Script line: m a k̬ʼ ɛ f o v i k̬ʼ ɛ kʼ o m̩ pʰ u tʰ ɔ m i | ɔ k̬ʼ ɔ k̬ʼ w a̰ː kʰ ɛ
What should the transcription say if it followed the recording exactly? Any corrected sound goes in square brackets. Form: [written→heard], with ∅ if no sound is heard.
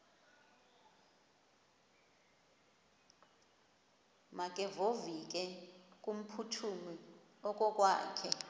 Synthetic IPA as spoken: m a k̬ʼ ɛ [f→v] o v i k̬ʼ ɛ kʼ [o→u] m̩ pʰ u tʰ [ɔ→u] m i | ɔ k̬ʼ ɔ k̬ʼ w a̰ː kʰ ɛ